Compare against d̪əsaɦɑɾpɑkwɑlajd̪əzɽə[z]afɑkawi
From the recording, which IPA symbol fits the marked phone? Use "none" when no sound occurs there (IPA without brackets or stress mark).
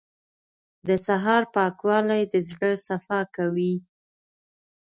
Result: s